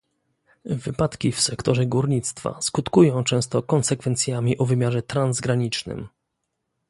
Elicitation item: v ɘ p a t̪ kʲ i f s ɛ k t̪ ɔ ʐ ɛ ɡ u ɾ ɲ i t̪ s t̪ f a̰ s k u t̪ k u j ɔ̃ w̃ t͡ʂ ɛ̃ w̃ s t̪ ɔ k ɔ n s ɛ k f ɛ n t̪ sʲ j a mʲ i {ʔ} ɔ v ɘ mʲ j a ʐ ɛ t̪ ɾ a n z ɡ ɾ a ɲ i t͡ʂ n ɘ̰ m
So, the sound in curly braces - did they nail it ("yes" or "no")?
yes